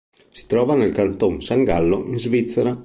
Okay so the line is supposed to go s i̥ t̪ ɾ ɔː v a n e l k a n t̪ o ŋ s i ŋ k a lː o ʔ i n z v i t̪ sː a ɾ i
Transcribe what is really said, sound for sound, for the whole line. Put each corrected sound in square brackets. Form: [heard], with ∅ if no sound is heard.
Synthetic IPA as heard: s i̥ t̪ ɾ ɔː v a n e l k a n t̪ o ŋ s [a] ŋ [ɡ] a lː o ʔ i n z v i t̪ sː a ɾ [a]